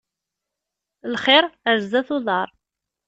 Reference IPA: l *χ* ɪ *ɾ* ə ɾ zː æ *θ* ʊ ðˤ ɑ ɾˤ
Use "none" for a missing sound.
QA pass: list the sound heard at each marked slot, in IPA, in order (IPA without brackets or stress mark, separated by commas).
χ, ɾ, θ